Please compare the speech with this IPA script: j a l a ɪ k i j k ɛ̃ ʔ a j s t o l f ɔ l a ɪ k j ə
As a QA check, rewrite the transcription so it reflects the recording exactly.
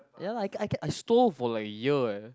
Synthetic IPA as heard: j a l a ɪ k a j k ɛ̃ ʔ a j s t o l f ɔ l a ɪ k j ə